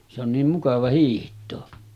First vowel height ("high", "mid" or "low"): mid